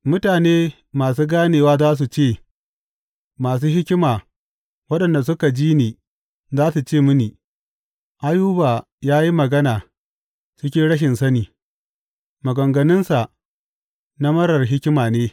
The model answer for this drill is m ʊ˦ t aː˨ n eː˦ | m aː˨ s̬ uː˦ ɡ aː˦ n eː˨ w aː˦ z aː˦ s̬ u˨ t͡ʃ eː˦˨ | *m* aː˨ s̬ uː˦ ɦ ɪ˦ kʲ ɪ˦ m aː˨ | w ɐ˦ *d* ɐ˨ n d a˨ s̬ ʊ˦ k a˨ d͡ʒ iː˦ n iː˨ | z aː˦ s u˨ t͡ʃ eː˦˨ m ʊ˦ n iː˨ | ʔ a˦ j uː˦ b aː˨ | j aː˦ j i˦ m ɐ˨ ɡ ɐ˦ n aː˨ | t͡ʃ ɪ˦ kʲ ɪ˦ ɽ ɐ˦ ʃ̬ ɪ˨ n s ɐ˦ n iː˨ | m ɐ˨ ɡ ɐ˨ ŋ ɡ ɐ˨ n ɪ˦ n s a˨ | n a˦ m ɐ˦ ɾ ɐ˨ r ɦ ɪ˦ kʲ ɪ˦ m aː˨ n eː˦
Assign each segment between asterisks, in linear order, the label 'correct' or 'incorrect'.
correct, incorrect: ɗ

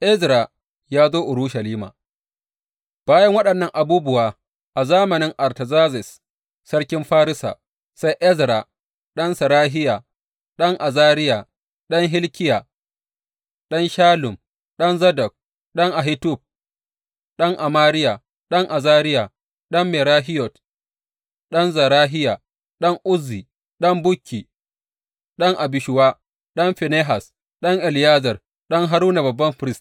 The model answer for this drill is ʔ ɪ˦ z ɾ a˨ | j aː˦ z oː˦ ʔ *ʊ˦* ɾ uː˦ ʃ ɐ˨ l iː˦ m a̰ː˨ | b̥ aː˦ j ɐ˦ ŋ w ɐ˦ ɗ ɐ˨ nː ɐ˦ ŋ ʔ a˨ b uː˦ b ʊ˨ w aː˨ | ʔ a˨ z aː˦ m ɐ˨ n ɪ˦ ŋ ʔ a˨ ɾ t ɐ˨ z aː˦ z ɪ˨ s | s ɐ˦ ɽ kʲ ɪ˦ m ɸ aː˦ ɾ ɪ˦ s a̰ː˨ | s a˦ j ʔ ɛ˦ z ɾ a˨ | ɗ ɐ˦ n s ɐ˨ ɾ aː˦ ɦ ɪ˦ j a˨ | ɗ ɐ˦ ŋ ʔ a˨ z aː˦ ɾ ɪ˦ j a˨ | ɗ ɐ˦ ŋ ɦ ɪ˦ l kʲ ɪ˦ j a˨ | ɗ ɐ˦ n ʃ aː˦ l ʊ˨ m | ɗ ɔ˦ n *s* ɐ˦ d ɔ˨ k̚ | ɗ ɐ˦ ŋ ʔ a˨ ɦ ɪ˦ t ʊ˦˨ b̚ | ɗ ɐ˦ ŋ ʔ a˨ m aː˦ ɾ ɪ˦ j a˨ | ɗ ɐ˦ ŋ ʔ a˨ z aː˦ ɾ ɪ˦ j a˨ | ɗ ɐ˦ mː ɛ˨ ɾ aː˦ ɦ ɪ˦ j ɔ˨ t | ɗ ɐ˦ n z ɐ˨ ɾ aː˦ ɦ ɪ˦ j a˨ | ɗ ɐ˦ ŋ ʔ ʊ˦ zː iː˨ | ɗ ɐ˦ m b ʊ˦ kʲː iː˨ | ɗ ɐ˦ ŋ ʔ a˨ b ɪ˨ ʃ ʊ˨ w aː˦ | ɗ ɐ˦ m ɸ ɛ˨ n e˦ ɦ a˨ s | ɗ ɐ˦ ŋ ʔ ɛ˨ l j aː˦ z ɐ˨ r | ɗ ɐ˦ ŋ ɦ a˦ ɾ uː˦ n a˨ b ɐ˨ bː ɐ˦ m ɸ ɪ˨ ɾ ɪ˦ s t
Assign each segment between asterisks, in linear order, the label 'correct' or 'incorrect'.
incorrect: ʊ˨, incorrect: z

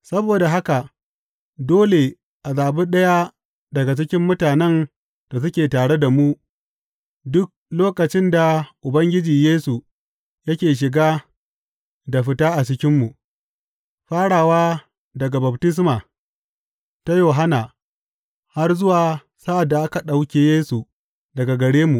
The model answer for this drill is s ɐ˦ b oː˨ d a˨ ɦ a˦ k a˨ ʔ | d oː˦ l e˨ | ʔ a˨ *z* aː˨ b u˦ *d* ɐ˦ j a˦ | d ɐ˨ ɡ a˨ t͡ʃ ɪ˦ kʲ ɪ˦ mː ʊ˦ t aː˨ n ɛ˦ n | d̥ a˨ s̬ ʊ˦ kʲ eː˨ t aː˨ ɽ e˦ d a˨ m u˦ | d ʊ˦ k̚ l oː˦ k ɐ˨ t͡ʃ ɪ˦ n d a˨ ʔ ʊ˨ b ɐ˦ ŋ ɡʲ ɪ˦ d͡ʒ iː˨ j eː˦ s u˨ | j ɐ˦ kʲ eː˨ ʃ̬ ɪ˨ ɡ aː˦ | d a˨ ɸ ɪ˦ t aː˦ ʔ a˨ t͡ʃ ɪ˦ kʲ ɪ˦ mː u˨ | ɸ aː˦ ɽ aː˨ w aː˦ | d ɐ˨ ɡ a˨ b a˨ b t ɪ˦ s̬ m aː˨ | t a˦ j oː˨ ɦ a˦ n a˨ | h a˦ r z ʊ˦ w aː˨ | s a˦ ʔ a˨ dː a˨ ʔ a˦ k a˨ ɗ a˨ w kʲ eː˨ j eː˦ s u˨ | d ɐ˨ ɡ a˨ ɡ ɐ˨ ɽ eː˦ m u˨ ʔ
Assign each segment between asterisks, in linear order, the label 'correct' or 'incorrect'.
correct, incorrect: ɗ

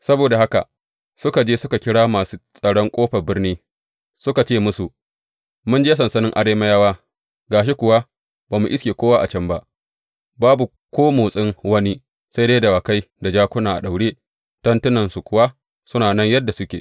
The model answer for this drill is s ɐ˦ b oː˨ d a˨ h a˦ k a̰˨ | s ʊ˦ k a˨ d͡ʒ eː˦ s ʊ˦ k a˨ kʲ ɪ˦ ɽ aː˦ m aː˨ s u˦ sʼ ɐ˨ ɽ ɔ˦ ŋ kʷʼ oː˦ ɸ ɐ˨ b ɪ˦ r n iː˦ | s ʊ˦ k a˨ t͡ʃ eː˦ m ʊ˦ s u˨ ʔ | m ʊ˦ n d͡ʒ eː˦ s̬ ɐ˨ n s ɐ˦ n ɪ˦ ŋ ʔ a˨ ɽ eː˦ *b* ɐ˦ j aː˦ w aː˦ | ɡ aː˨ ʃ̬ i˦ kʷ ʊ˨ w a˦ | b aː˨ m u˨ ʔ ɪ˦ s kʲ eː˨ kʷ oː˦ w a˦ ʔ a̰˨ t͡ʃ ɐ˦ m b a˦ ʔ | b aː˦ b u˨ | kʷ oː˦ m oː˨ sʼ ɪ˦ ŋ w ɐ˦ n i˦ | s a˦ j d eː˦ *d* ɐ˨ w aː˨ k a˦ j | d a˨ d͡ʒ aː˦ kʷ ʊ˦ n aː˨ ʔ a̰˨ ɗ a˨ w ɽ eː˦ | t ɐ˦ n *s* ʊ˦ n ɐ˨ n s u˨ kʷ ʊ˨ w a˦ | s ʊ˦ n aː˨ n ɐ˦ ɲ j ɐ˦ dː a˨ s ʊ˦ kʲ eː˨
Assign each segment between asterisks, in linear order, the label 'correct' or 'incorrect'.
incorrect: m, correct, incorrect: t

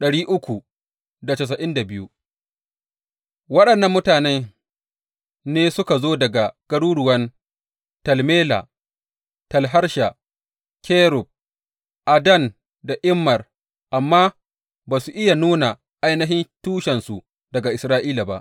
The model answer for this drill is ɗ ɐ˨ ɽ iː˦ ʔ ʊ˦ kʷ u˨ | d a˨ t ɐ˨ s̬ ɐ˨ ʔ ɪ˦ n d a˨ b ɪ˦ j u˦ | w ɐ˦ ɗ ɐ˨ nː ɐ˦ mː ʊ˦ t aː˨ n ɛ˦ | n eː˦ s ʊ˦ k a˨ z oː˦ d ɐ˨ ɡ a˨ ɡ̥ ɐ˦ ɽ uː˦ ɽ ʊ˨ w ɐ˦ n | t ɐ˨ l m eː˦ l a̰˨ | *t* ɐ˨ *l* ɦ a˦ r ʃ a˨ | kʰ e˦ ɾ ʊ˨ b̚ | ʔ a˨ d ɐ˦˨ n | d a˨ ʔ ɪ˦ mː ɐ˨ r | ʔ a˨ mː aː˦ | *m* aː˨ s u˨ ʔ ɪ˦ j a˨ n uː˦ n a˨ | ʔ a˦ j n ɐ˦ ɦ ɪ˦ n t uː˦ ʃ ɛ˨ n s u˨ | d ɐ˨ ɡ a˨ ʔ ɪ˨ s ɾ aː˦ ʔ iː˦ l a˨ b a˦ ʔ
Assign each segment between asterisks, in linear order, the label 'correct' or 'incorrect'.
correct, correct, incorrect: b

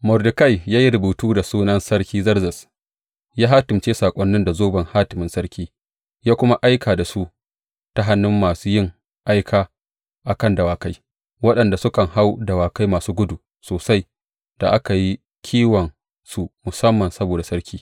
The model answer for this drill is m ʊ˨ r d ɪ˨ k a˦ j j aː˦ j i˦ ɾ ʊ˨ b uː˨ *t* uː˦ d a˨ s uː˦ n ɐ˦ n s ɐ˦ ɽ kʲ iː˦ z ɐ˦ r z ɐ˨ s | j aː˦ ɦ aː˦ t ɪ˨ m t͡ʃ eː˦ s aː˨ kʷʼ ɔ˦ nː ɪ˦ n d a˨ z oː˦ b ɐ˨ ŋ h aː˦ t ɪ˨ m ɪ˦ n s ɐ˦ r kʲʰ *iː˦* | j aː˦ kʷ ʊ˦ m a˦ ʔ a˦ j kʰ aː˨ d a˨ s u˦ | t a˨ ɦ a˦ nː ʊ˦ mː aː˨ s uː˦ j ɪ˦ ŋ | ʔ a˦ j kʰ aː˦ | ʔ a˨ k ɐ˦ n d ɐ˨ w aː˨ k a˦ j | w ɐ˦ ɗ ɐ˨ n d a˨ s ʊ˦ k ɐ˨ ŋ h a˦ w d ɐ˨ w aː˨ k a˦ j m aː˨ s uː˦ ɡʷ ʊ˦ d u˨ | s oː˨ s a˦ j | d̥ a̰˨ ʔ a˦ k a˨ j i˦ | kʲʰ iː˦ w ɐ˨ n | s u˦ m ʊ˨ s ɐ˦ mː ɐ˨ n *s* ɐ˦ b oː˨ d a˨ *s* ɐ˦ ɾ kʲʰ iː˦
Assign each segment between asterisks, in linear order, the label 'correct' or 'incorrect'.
correct, correct, correct, correct

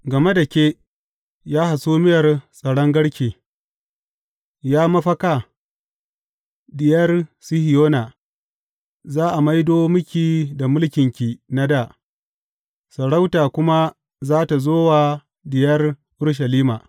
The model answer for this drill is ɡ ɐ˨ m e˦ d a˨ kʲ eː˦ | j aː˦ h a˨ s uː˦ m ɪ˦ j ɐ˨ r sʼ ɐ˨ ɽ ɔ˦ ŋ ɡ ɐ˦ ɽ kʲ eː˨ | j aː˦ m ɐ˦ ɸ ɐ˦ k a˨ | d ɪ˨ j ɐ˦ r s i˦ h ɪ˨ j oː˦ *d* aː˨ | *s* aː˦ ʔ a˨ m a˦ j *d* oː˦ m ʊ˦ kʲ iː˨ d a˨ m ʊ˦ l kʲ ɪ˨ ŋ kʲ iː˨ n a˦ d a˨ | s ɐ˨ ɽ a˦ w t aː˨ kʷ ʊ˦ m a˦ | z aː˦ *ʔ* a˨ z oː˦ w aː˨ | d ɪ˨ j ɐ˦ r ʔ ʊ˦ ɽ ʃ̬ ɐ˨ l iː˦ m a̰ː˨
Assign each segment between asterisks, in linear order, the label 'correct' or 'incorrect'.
incorrect: n, incorrect: z, correct, incorrect: t

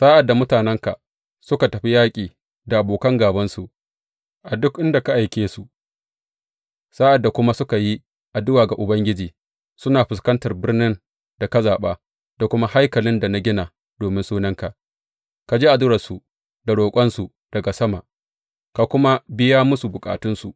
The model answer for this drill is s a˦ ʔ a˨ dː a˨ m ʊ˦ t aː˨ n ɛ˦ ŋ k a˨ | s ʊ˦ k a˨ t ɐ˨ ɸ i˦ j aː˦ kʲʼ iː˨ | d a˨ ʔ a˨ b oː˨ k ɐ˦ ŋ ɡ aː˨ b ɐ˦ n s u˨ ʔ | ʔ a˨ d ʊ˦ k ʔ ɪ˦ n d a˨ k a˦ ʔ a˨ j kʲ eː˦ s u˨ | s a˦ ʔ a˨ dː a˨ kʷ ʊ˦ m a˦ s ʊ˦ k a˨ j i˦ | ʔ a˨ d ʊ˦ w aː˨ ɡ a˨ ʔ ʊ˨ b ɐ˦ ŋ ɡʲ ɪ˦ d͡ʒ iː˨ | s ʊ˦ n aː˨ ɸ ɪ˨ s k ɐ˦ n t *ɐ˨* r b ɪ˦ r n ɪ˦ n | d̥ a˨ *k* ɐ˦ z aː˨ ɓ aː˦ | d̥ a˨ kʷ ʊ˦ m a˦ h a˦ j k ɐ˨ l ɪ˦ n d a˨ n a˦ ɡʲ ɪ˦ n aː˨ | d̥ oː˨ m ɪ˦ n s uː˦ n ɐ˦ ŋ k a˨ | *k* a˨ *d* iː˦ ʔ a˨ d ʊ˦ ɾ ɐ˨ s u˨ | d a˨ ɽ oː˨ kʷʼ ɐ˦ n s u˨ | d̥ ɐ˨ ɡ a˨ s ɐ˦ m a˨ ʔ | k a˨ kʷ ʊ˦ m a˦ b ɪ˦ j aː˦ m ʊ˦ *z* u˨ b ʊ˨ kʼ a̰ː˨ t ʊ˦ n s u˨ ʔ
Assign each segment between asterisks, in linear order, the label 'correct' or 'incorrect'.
correct, correct, correct, incorrect: d͡ʒ, incorrect: s

